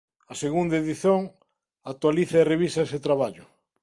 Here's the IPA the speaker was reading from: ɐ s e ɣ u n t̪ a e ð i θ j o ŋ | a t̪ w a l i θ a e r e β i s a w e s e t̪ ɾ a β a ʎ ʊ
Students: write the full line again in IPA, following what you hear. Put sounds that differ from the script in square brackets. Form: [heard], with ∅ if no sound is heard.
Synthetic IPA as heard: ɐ s e ɣ u n [d̪] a e ð i θ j o ŋ | a t̪ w a l i θ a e r e β i s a [∅] e s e t̪ ɾ a β a ʎ ʊ